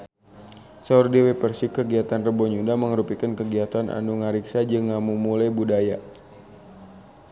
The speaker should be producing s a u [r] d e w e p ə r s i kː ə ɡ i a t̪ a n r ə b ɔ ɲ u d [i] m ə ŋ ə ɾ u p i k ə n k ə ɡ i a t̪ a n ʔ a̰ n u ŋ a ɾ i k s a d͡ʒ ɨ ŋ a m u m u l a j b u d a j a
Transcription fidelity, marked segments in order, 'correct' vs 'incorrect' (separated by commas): correct, incorrect